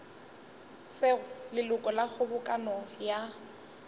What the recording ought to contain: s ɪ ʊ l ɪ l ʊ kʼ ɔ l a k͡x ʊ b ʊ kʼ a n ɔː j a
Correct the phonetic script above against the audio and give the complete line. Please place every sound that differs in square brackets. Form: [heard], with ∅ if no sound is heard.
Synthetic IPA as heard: s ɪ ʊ l ɪ l ʊ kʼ ɔ l a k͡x ʊ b ʊ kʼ a n [ɔ] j a